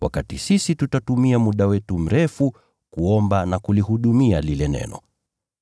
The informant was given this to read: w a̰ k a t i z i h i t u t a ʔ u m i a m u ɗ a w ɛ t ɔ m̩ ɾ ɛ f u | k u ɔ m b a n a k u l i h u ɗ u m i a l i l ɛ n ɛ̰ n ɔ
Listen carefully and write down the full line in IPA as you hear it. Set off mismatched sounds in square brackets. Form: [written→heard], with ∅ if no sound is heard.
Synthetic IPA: w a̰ k a t i [z→s] i [h→s] i t u t a [ʔ→t] u m i a m u ɗ a w ɛ t [ɔ→u] m̩ ɾ ɛ f u | k u ɔ m b a n a k u l i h u ɗ u m i a l i l ɛ n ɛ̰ n ɔ